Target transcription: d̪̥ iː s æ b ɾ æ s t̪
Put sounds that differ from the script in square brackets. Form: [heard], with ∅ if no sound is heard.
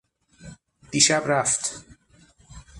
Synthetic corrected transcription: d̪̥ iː [ʃ] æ b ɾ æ [f] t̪